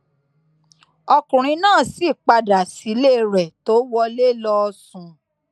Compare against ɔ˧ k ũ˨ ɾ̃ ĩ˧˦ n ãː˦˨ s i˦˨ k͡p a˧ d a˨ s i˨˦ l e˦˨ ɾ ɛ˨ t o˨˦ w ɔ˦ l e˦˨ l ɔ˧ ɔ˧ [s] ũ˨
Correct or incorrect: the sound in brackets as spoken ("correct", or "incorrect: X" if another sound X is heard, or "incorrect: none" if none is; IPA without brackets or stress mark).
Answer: correct